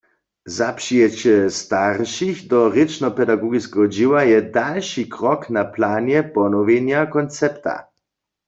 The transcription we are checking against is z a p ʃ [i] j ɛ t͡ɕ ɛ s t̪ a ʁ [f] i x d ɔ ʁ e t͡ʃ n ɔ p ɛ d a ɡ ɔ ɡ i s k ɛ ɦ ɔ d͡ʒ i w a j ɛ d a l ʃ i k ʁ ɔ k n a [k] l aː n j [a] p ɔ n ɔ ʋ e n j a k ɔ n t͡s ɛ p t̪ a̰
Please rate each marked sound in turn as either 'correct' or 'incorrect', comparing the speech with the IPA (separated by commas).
correct, incorrect, incorrect, incorrect